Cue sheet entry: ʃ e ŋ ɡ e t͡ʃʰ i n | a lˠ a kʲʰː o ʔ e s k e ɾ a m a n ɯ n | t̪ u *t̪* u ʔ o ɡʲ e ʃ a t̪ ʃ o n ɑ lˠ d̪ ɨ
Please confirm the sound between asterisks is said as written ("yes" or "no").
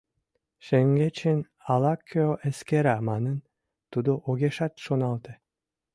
no